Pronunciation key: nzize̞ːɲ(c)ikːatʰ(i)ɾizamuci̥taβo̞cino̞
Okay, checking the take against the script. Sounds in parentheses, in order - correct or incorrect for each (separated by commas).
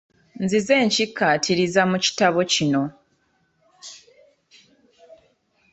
correct, correct